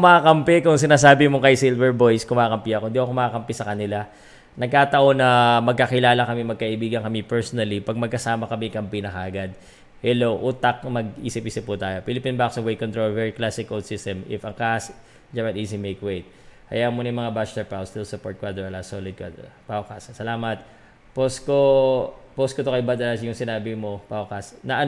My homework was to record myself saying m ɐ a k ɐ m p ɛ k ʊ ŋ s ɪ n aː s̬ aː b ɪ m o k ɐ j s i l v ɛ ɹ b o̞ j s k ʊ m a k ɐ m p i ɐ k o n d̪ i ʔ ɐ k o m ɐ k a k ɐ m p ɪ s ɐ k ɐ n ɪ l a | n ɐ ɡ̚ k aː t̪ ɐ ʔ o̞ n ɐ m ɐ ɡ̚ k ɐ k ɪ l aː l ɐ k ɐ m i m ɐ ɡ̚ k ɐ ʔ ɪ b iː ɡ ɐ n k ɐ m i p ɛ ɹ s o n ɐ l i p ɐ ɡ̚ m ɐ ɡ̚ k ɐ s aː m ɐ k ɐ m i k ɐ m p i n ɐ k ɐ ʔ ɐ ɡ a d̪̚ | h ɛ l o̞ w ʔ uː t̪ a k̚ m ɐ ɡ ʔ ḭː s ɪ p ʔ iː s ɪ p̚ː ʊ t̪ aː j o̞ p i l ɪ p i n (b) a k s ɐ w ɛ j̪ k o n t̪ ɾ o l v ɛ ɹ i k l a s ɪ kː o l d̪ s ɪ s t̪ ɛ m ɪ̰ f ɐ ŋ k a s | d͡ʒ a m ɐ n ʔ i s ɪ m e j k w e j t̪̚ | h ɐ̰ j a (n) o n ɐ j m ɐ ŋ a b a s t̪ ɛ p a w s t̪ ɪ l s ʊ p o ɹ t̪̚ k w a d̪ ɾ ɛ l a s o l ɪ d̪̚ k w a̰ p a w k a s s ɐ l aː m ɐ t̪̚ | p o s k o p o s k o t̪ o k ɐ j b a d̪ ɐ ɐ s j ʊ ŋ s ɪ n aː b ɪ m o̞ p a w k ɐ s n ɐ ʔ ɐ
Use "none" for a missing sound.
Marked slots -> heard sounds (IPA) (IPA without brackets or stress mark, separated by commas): b, m